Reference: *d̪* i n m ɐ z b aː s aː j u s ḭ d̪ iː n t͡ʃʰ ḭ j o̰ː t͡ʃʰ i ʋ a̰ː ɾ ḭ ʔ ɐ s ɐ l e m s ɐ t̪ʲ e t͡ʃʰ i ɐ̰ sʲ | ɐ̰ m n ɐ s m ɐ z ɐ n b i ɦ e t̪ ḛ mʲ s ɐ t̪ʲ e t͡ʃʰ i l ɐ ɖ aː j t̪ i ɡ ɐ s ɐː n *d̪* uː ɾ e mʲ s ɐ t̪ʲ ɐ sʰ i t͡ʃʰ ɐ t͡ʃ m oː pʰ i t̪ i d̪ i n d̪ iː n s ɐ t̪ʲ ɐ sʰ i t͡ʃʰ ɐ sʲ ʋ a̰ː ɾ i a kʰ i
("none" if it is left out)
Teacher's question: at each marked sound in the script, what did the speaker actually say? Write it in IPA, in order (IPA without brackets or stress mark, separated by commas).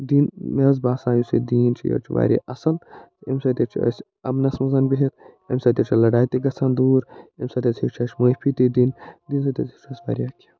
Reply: d̪, d̪